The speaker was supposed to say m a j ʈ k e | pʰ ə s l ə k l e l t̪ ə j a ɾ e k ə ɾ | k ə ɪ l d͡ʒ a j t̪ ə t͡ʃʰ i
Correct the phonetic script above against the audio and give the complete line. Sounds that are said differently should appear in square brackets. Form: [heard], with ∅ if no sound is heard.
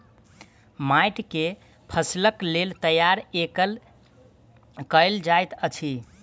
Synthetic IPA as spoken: m a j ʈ k e | pʰ ə s l ə k l e l t̪ ə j a ɾ e k ə [l] | k ə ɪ l d͡ʒ a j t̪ ə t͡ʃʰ i